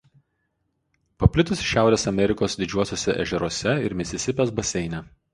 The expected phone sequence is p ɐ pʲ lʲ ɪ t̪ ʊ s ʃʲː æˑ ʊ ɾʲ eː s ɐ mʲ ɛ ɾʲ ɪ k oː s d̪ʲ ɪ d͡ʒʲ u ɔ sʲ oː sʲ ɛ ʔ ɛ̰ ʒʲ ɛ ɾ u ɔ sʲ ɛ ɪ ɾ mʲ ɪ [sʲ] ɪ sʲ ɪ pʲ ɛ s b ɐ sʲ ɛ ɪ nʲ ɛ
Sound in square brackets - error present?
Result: no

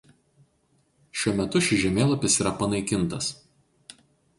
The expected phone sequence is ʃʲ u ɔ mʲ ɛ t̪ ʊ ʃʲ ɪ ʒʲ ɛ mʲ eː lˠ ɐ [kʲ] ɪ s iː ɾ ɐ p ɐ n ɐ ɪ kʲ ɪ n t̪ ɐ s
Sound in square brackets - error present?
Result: yes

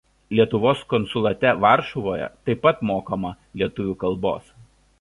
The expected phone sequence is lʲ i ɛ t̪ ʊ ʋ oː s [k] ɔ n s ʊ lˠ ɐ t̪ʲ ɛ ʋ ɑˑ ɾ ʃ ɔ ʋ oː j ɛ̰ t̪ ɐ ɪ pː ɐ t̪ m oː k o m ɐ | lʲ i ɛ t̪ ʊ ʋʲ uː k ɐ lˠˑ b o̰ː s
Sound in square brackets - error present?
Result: no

